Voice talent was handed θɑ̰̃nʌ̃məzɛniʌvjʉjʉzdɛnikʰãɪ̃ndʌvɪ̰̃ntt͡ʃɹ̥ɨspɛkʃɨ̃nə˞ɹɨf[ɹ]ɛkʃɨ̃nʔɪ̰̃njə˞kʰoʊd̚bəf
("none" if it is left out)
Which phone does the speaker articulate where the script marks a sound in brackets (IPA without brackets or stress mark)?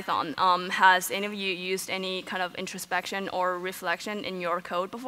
l